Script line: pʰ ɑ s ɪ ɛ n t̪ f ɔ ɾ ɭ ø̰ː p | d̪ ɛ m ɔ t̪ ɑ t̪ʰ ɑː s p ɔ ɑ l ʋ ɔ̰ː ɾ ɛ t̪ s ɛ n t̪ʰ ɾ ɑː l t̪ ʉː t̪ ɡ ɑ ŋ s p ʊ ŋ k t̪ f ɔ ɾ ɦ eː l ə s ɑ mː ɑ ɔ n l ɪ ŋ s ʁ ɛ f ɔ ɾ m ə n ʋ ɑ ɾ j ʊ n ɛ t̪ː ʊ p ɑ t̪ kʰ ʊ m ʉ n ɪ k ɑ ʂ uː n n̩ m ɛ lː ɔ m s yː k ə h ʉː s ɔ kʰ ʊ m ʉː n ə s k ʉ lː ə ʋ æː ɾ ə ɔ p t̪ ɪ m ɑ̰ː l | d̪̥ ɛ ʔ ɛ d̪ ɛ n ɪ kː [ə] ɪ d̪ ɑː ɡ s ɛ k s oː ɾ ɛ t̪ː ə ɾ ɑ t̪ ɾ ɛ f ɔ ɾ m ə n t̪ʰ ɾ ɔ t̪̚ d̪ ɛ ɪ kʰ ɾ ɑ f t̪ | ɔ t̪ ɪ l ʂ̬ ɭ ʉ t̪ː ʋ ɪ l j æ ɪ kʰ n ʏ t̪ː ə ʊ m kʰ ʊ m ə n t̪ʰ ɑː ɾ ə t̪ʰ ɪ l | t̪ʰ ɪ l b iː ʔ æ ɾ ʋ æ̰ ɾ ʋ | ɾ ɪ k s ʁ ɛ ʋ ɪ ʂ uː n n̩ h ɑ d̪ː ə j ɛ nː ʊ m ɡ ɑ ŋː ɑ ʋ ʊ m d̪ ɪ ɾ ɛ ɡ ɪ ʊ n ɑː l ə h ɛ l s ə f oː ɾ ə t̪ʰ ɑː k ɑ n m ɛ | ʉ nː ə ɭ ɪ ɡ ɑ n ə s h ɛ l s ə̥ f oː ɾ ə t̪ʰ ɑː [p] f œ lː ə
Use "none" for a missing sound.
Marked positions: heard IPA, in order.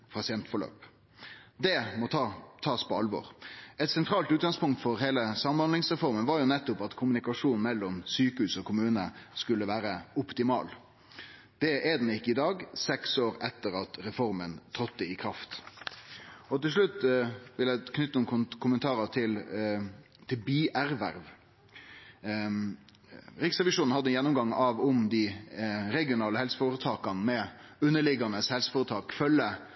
ə, k

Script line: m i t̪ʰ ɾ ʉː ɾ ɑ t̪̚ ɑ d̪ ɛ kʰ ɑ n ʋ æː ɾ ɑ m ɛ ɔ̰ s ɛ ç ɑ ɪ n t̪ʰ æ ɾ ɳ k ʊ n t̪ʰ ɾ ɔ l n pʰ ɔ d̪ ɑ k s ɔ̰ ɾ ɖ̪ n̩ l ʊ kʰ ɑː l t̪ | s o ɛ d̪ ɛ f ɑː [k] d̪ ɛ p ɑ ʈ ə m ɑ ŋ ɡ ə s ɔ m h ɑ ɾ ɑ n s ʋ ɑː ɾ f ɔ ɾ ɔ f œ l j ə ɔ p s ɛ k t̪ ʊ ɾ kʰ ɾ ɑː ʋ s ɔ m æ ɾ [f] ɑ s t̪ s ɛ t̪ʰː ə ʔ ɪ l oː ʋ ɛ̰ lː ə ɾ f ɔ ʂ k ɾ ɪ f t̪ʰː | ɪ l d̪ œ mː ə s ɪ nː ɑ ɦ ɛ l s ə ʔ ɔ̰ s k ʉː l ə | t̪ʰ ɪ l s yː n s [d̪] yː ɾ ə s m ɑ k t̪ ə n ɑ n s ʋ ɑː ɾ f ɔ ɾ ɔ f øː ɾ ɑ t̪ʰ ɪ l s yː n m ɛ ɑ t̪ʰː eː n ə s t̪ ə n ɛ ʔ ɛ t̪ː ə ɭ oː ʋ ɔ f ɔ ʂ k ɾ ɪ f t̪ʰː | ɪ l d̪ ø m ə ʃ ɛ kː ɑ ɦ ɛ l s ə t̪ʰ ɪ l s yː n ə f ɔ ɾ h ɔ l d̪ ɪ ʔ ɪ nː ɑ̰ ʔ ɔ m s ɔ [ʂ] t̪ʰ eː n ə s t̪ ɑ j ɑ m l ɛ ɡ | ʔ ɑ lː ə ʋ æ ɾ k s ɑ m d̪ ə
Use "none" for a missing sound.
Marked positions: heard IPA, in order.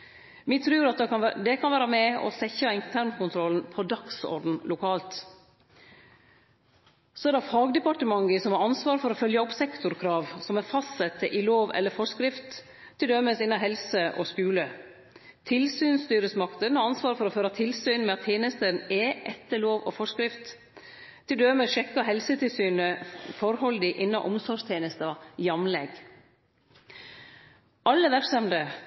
ɡ, f, t̪, ʂ

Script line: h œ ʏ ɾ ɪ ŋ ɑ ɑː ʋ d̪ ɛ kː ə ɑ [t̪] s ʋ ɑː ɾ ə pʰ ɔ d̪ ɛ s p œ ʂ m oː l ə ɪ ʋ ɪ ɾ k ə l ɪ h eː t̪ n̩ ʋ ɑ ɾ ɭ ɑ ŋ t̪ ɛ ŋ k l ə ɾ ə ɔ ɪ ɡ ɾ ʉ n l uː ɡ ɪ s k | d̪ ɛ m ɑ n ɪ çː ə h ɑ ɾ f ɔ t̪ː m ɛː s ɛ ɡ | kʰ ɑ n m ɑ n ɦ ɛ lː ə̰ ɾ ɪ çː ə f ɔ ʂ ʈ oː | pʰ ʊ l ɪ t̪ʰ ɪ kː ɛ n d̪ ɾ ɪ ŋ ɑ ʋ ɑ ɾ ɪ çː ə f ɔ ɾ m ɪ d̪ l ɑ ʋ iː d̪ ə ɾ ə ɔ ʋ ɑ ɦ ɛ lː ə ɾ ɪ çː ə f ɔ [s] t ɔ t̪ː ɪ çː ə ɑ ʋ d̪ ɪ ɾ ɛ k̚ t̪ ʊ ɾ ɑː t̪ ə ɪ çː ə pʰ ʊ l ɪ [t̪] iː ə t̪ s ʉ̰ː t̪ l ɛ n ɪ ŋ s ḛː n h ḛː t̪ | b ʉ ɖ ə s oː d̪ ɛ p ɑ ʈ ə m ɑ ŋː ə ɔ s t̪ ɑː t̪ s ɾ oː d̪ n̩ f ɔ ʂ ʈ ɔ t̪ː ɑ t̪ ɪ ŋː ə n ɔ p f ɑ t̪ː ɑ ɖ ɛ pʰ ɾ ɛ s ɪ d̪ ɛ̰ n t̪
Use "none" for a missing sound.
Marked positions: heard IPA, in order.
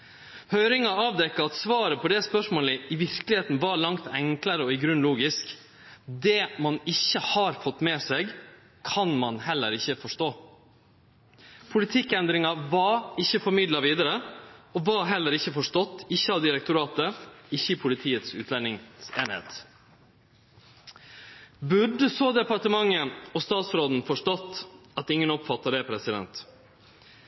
t̪, ʂ, t̪ʰ

